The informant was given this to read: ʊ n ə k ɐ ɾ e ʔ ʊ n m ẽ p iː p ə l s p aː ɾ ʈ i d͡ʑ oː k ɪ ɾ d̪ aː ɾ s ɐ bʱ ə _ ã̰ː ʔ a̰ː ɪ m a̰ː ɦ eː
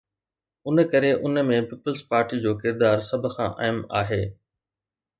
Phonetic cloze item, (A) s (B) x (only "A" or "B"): B